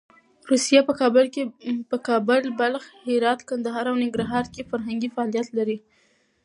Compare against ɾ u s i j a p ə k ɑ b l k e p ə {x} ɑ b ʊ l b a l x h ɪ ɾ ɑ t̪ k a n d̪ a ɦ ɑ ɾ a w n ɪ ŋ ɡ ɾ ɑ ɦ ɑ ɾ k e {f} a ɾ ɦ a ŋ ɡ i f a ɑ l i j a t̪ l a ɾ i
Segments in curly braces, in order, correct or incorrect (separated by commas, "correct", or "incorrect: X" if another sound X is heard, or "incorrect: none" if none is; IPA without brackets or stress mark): incorrect: k, correct